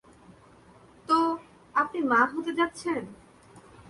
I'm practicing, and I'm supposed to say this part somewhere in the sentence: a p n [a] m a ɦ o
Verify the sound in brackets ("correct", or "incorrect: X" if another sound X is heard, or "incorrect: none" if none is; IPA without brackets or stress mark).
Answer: incorrect: i